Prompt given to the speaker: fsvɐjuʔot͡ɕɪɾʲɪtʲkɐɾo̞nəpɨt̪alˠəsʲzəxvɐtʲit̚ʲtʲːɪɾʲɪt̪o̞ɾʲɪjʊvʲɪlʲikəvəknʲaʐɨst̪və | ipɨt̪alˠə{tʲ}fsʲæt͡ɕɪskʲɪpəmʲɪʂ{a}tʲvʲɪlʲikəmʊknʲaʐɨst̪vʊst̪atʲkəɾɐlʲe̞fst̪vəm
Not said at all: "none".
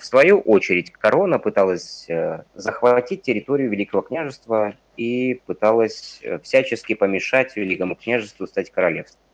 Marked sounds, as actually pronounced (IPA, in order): sʲ, a

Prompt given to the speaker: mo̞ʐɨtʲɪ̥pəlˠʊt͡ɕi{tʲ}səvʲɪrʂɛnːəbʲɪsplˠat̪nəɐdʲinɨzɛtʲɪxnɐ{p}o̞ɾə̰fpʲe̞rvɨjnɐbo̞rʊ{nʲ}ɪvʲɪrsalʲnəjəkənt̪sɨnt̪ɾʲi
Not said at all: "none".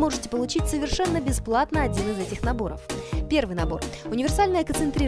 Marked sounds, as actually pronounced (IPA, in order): tʲ, b, nʲ

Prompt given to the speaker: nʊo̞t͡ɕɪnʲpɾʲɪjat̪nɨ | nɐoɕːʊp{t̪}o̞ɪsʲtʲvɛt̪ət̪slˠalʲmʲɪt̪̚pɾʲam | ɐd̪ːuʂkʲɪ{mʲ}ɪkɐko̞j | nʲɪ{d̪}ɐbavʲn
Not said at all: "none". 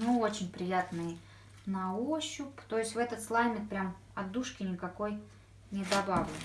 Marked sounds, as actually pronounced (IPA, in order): t̪, nʲ, d̪

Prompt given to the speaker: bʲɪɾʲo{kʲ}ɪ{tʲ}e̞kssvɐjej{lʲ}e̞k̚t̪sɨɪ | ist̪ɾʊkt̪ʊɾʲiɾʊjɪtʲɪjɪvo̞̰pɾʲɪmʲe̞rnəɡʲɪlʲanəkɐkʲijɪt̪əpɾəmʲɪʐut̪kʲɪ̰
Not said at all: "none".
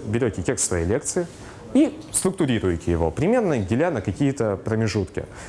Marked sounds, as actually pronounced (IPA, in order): tʲ, tʲ, lʲ

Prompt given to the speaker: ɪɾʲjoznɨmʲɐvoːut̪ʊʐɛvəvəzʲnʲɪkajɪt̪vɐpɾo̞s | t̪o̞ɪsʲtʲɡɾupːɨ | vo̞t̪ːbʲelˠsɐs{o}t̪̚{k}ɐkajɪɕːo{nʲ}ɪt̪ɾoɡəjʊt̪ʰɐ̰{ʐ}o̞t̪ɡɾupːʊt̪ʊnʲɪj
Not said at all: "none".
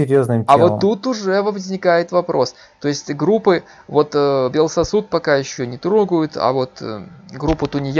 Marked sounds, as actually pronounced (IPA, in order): u, p, nʲ, v

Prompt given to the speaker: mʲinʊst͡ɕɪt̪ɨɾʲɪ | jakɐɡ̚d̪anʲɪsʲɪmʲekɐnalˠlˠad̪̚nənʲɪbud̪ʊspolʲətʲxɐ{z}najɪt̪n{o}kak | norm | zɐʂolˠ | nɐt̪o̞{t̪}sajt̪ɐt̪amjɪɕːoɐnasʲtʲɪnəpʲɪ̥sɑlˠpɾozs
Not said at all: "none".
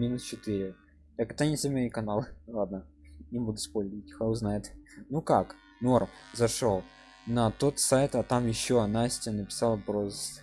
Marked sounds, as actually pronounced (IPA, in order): z, u, t̪

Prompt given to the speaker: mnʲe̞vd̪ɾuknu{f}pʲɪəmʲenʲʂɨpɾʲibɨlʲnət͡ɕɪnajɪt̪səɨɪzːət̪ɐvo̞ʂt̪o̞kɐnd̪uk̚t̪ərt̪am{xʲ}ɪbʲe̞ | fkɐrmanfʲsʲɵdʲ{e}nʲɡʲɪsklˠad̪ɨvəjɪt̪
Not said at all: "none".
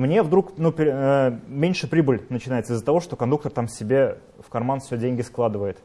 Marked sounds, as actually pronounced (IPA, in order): none, sʲ, e

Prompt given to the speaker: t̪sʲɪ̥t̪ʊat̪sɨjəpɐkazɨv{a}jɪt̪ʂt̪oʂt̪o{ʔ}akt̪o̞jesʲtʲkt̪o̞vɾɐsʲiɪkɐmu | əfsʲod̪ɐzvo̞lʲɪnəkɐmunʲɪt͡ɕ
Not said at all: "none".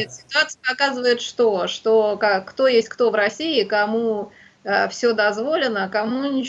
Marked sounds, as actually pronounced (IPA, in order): ə, k

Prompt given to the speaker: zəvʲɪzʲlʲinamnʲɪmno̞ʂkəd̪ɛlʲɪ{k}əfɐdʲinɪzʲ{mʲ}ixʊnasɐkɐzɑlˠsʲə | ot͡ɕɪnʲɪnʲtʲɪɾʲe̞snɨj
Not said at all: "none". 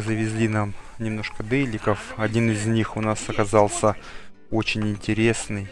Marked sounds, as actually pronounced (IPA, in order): k, nʲ

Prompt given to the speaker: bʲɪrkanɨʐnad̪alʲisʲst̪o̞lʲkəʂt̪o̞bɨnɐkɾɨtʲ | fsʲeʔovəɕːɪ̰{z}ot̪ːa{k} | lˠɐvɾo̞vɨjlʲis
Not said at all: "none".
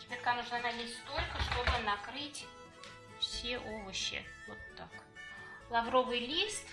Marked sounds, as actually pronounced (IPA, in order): v, k

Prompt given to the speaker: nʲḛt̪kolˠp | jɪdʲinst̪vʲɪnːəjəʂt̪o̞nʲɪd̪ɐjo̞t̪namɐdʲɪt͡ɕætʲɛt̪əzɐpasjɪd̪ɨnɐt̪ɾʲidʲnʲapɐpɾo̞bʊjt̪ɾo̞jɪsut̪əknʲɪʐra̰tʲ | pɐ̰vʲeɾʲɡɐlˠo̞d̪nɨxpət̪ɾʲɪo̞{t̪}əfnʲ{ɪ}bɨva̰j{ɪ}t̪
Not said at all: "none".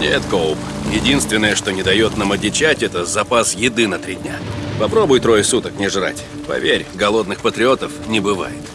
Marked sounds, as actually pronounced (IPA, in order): t̪, ɪ, ɪ

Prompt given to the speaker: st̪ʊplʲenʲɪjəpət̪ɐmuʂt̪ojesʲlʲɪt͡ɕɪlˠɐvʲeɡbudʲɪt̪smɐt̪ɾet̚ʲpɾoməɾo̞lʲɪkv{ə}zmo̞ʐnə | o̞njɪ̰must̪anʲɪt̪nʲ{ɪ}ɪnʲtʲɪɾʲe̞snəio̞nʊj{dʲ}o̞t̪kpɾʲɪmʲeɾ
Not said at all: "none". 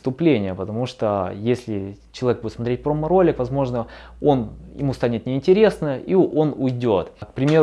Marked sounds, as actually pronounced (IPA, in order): ɐ, ɪ, dʲ

